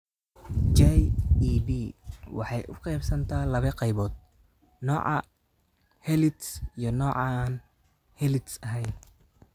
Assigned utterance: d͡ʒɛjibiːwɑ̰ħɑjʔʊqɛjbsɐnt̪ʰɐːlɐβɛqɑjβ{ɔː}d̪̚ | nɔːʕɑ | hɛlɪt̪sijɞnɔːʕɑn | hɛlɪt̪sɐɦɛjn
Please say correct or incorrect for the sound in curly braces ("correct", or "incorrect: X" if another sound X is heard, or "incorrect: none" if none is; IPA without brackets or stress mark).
correct